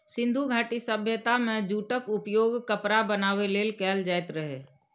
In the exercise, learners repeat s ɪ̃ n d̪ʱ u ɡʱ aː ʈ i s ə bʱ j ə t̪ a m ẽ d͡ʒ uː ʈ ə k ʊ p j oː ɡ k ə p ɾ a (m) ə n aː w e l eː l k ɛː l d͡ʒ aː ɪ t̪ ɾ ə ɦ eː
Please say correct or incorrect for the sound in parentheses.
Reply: incorrect